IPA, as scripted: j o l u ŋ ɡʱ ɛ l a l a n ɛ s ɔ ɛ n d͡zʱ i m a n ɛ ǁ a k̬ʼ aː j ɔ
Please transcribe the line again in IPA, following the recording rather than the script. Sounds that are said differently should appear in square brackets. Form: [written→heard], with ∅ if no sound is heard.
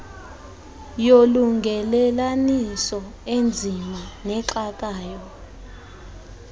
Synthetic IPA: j o l u ŋ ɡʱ ɛ l [a→ɛ] l a n [ɛ→i] s ɔ [ɛ→e] n d͡zʱ i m a n ɛ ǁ a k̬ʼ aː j ɔ